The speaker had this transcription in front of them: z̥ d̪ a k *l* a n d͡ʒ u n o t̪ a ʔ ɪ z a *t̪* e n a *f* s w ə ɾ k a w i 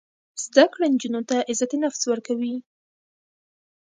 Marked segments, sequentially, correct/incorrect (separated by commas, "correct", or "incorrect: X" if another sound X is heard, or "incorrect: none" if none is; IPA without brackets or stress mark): incorrect: ɽ, correct, correct